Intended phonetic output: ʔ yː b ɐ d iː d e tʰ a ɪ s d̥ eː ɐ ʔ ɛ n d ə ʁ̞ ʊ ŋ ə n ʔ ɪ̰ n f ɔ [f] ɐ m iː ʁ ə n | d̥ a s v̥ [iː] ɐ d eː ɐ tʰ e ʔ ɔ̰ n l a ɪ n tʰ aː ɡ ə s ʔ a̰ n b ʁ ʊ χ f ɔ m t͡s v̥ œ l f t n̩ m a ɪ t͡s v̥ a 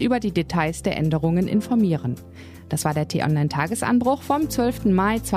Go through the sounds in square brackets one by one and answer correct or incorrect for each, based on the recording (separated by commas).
incorrect, incorrect